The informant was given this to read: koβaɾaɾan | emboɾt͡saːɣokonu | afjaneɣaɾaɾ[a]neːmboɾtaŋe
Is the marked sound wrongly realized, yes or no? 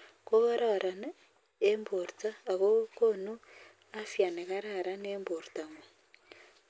no